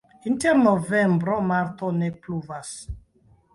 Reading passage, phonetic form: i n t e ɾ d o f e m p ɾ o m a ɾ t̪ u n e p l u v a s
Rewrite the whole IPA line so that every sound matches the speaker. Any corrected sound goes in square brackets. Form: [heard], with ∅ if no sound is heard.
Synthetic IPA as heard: i n t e ɾ [n] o [v] e m [b] ɾ o m a ɾ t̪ [o] n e p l u v a s